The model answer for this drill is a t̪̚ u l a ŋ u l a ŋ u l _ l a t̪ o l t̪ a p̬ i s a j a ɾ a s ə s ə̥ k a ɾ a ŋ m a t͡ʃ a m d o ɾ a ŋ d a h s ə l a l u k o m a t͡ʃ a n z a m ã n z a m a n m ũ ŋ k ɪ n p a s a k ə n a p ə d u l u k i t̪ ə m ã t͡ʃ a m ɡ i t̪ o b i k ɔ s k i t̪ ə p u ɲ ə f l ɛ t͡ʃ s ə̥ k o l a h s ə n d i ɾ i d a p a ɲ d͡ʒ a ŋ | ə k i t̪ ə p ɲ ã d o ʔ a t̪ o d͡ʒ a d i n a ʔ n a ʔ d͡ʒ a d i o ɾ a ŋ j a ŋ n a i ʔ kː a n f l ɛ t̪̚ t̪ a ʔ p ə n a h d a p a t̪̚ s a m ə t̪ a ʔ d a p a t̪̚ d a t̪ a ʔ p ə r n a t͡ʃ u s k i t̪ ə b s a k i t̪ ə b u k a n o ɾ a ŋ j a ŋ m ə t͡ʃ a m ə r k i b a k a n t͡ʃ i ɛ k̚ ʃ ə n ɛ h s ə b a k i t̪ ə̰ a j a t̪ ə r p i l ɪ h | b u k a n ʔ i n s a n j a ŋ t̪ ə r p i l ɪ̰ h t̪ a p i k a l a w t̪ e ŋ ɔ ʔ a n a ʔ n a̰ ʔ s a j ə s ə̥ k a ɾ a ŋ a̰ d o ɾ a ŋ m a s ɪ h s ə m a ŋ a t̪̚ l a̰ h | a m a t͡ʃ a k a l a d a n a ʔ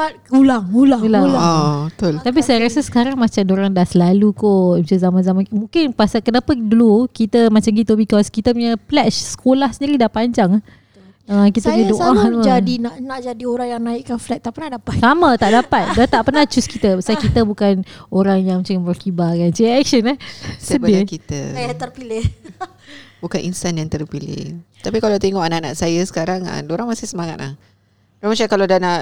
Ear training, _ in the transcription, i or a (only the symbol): a